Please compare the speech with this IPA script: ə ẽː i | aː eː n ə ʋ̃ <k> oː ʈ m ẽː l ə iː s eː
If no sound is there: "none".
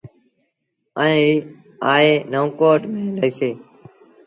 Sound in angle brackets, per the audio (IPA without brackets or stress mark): k